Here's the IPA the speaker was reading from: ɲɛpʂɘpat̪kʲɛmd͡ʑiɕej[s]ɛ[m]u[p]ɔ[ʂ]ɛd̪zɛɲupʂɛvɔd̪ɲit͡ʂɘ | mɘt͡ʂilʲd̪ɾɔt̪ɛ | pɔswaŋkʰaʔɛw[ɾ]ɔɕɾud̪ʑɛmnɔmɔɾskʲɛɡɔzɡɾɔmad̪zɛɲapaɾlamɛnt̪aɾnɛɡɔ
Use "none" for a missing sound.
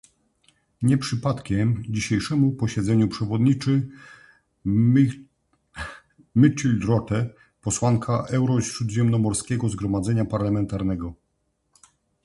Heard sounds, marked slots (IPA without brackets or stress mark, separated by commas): ʂ, m, p, ɕ, ɾ